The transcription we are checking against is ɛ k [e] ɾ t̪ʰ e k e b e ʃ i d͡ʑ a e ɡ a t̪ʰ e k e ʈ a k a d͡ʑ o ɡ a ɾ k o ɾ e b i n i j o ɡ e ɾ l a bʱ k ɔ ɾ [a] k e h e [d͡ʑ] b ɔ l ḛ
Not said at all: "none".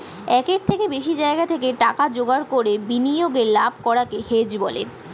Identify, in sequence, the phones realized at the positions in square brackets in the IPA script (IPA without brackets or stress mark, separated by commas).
e, a, d͡ʑ